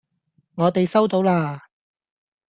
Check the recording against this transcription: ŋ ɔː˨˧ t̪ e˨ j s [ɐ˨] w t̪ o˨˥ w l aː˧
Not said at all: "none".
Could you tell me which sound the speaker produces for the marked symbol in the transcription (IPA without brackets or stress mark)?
ɐ˥